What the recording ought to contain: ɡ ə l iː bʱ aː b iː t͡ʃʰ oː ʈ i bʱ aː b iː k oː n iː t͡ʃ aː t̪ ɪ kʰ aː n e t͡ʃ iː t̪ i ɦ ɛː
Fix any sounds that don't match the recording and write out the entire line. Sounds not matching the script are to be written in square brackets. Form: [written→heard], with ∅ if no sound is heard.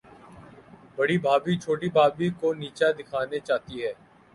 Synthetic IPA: [ɡ→b] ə [l→ɽ] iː bʱ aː b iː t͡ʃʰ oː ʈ i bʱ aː b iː k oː n iː t͡ʃ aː [t̪→d̪] ɪ kʰ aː n e t͡ʃ [iː→aː] t̪ i ɦ ɛː